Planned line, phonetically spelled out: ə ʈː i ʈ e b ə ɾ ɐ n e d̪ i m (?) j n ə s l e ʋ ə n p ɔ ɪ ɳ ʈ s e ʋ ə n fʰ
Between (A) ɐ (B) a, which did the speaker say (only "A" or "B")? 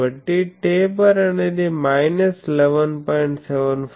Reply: B